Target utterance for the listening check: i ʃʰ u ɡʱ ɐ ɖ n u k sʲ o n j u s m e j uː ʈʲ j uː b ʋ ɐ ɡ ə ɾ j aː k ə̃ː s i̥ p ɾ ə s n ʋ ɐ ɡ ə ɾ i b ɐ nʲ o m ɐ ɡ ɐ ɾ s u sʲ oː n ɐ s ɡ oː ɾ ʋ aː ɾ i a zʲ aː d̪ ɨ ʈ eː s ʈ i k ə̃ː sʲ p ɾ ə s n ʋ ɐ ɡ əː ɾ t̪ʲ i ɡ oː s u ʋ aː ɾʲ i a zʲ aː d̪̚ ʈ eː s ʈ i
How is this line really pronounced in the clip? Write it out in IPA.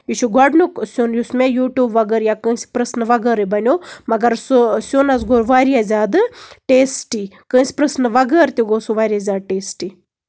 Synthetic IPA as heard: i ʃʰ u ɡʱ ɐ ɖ n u k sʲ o n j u s m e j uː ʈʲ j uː b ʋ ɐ ɡ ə ɾ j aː k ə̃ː s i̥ p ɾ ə s n ʋ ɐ ɡ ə ɾ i b ɐ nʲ o m ɐ ɡ ɐ ɾ s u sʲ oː n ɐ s ɡ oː ɾ ʋ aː ɾ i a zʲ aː d̪ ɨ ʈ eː s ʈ i k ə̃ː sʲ p ɾ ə s n ʋ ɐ ɡ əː ɾ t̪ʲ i ɡ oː s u ʋ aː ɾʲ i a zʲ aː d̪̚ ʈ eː s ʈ i